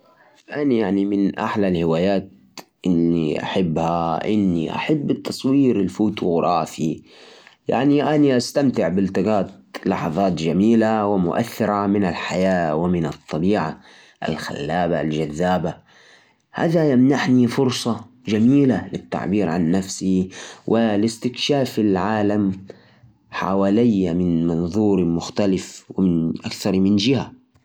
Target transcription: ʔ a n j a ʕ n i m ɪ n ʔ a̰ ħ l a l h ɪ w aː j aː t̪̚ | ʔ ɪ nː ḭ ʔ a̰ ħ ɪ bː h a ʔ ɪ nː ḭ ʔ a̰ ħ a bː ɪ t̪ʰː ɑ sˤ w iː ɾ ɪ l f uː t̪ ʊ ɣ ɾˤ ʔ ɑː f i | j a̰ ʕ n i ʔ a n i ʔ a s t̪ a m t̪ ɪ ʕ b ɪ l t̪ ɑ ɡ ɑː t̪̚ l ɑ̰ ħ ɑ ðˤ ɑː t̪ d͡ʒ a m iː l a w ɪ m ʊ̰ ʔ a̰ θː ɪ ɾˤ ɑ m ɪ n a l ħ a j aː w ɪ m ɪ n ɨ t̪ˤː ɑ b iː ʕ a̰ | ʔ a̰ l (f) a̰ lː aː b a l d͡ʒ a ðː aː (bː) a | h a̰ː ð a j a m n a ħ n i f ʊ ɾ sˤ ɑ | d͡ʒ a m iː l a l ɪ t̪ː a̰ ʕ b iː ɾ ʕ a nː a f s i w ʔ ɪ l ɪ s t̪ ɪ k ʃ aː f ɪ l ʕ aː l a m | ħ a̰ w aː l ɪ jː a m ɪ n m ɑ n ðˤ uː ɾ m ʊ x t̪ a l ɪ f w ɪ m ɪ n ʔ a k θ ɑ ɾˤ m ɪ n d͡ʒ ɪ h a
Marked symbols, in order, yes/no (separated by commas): no, no